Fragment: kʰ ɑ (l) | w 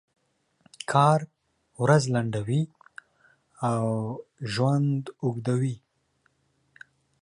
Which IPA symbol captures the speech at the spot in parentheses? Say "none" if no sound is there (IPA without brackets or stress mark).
ɾ